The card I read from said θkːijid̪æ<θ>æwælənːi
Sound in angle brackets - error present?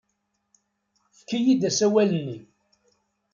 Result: yes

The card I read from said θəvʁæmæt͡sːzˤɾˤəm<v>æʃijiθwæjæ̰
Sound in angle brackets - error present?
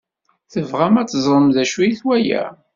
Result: yes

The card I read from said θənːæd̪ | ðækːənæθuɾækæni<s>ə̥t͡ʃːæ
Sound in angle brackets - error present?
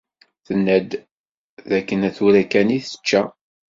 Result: yes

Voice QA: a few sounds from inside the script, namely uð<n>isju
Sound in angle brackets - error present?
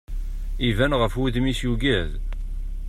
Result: yes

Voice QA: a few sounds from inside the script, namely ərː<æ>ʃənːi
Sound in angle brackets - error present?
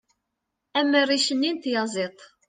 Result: yes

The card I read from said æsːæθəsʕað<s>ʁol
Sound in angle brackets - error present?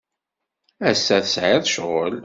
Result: yes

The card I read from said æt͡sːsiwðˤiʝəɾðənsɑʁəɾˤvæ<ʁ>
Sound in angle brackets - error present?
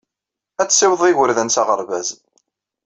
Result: yes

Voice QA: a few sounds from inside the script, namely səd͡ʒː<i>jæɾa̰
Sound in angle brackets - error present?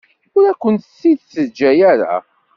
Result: yes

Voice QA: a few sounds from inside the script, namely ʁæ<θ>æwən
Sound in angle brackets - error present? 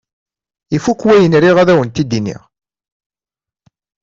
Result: yes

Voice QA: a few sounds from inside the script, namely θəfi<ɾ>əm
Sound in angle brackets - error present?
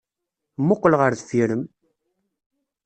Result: no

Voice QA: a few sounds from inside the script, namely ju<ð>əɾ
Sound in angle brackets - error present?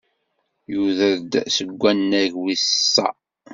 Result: no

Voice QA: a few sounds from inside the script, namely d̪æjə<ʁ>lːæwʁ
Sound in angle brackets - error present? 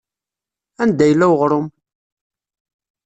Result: yes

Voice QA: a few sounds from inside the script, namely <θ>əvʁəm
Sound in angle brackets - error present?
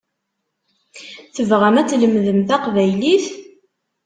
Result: no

